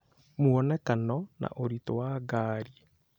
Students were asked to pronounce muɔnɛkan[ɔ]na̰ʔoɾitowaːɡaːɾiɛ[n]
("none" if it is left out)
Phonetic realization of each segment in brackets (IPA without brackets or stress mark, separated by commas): ɔ, none